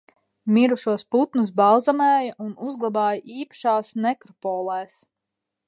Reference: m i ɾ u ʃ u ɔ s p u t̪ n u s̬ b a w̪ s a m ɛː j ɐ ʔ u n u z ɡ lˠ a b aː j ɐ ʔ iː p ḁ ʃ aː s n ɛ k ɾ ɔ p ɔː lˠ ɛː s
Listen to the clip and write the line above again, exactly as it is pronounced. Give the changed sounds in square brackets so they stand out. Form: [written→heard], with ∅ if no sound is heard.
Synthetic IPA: m i ɾ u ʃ u ɔ s p u t̪ n u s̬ b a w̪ [s→z] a m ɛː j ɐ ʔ u n u z ɡ lˠ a b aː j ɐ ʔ iː p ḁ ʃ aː s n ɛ k ɾ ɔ p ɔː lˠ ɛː s